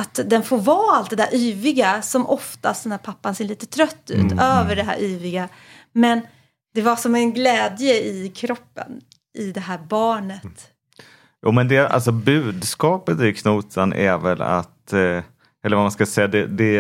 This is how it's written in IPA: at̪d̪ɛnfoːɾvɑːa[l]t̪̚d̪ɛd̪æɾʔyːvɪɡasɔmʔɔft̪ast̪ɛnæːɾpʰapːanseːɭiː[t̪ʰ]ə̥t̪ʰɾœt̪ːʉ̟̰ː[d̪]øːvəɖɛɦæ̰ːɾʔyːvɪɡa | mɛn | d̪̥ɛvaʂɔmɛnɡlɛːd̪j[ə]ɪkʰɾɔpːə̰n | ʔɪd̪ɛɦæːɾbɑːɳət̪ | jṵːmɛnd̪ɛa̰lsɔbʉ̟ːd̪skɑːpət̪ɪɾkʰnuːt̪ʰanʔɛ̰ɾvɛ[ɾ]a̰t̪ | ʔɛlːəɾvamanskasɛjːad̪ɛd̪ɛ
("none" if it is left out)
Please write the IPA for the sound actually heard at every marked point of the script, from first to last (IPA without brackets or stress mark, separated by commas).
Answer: l, t̪, t̪, ə, l